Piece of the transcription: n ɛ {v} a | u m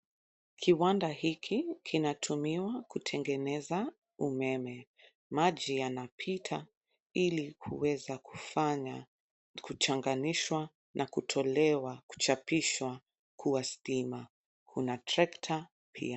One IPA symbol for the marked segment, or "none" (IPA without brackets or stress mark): z